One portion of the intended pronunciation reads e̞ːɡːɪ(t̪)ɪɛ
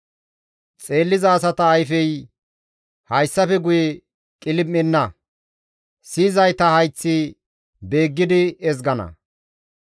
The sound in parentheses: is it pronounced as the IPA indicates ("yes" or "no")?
no